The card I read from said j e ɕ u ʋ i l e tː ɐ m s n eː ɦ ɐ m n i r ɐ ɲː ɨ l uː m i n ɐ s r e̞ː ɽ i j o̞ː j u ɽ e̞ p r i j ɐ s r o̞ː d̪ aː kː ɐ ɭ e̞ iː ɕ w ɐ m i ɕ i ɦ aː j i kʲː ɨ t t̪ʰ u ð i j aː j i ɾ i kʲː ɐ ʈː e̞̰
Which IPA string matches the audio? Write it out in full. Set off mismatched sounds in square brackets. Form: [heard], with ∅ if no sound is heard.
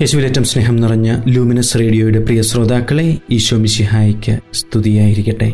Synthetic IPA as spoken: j e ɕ u ʋ i l e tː ɐ m s n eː ɦ ɐ m n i r ɐ ɲː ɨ l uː m i n ɐ s r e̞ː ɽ i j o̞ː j u ɽ e̞ p r i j ɐ s r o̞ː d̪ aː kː ɐ ɭ e̞ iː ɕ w ɐ m i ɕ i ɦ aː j i kʲː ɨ [s] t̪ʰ u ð i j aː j i ɾ i kʲː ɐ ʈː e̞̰